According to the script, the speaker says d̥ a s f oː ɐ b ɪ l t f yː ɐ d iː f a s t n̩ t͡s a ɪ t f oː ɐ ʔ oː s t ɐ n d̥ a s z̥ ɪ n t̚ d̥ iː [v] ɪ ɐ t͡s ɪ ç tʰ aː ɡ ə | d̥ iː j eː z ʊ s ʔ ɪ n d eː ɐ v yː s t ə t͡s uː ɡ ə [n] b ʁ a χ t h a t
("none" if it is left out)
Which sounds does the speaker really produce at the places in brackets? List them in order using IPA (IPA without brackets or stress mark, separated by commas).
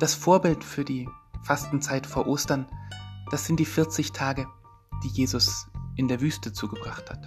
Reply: f, none